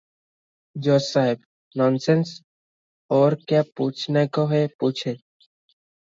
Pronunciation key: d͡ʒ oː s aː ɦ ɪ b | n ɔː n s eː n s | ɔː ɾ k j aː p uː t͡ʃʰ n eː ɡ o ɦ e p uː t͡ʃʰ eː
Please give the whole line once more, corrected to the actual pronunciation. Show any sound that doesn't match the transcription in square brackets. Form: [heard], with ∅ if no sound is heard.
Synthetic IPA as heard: d͡ʒ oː s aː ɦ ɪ b | n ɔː n s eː n s | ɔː ɾ k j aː p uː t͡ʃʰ n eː [k] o ɦ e p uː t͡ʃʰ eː

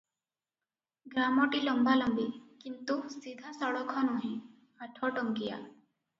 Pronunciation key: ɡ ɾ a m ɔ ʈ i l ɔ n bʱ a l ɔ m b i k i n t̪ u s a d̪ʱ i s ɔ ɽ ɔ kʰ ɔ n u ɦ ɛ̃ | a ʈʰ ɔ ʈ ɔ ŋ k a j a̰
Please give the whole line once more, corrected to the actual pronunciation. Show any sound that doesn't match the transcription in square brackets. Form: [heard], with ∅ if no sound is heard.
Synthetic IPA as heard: ɡ ɾ a m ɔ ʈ i l ɔ [m] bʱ a l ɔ m b i k i n t̪ u s [i] d̪ʱ [a] s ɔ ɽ ɔ kʰ ɔ n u ɦ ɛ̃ | a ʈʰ ɔ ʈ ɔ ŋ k [i] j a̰

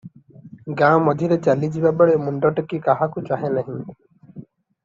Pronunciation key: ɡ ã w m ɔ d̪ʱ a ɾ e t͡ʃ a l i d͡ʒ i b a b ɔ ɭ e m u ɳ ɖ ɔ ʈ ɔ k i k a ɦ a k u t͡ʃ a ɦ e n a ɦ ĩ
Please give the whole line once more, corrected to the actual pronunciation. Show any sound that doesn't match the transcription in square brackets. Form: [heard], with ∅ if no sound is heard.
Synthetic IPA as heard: ɡ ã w m ɔ d̪ʱ [i] ɾ e t͡ʃ a l i d͡ʒ i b a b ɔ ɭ e m u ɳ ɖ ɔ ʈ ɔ k i k a ɦ a k u t͡ʃ a ɦ e n a ɦ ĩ

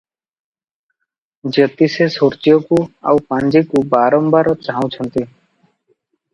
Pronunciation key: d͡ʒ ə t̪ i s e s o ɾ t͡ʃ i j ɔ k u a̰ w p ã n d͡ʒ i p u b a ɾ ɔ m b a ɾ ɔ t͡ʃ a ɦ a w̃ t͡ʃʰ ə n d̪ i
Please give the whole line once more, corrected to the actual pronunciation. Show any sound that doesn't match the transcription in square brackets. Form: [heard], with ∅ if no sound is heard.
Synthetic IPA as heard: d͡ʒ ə t̪ i s e s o ɾ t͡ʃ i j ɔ k u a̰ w p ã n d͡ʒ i [k] u b a ɾ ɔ m b a ɾ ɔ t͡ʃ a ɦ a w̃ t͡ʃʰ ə n [t̪] i

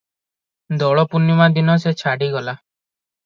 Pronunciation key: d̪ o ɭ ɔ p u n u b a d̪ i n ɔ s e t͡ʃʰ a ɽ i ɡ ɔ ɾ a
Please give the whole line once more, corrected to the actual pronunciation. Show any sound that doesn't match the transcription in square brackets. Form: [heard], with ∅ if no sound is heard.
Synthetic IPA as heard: d̪ [ɔ] ɭ ɔ p u n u [m] a d̪ i n ɔ s e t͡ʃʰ a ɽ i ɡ ɔ [l] a

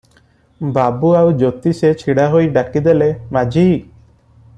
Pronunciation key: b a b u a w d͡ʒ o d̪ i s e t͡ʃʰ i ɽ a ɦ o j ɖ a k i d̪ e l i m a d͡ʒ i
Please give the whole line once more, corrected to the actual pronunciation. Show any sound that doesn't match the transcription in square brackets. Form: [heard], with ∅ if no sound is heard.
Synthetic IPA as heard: b a b u a w d͡ʒ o [t̪] i s e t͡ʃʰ i ɽ a ɦ o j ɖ a k i d̪ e l [e] m a d͡ʒ i

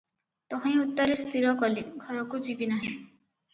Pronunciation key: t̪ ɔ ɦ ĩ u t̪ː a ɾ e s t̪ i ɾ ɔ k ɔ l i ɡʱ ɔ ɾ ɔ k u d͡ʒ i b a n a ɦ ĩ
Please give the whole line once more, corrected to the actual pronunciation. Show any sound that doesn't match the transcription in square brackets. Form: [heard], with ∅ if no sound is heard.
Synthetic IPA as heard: t̪ ɔ ɦ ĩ u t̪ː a ɾ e s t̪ i ɾ ɔ k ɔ l i ɡʱ ɔ ɾ ɔ k u d͡ʒ i b [i] n a ɦ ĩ

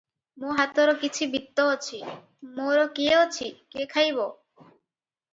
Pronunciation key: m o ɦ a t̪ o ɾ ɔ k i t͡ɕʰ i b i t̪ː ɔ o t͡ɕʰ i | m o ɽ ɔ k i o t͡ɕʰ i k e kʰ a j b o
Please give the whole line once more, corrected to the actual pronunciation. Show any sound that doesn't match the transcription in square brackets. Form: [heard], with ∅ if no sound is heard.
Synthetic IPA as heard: m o ɦ a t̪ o ɾ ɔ k i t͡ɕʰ i b i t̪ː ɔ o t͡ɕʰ i | m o [ɾ] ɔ k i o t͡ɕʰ i k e kʰ a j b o

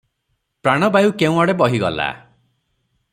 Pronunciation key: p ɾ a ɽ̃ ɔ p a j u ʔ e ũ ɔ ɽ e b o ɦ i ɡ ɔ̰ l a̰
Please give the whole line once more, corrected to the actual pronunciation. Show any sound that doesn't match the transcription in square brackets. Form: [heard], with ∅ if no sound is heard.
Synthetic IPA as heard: p ɾ a ɽ̃ ɔ [b] a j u [k] e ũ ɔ ɽ e b [ɔ] ɦ i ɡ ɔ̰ l a̰

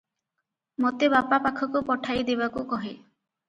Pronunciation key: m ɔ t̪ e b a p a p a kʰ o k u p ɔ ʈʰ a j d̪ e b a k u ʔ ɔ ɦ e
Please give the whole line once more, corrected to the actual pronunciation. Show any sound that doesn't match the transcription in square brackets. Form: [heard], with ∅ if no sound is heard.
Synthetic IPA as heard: m [o] t̪ e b a p a p a kʰ [ɔ] k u p ɔ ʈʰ a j d̪ e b a k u [k] ɔ ɦ e

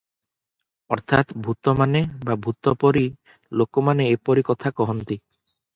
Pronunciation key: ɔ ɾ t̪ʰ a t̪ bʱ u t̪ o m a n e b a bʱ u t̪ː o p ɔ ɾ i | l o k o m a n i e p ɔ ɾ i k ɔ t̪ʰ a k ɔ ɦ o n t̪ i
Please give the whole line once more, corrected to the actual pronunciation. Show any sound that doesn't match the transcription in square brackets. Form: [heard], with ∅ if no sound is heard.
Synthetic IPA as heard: ɔ ɾ t̪ʰ a t̪ bʱ u t̪ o m a n e b a bʱ u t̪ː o p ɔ ɾ i | l o k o m a n [e] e p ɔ ɾ i k ɔ t̪ʰ a k ɔ ɦ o n t̪ i

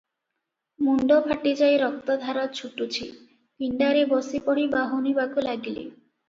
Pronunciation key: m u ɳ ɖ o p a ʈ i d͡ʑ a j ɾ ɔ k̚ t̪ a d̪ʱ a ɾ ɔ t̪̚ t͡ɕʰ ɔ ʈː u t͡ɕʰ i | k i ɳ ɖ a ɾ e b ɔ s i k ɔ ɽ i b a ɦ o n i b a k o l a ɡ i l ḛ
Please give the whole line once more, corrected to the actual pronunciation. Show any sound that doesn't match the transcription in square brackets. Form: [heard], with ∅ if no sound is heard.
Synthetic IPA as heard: m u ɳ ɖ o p a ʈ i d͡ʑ a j ɾ ɔ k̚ t̪ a d̪ʱ a ɾ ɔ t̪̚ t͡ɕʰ [u] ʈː u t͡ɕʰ i | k i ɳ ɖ a ɾ e b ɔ s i [p] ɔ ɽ i b a ɦ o n i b a k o l a ɡ i l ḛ

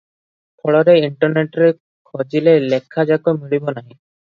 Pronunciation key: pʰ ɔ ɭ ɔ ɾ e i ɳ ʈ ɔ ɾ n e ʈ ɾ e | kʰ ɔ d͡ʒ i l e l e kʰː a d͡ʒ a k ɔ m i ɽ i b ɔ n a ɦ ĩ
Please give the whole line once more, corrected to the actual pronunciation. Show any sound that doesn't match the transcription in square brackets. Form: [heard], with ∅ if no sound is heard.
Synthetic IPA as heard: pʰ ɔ ɭ ɔ ɾ e i ɳ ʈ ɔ ɾ n e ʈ ɾ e | kʰ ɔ d͡ʒ i l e l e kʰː a d͡ʒ a k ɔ m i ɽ i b ɔ n a ɦ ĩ

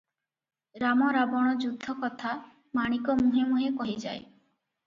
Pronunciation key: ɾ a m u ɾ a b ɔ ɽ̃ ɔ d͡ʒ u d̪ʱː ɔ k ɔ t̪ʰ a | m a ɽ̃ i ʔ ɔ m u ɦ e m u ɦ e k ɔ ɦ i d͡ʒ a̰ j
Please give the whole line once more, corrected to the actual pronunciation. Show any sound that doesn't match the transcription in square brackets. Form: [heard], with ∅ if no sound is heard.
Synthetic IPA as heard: ɾ a m [ɔ] ɾ a b ɔ ɽ̃ ɔ d͡ʒ u d̪ʱː ɔ k ɔ t̪ʰ a | m a ɽ̃ i [k] ɔ m u ɦ e m u ɦ e k ɔ ɦ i d͡ʒ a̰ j

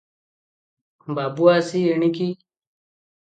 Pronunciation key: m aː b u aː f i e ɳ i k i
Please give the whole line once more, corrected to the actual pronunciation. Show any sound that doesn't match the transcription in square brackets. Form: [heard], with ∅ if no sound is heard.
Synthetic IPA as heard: [b] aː b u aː [s] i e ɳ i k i

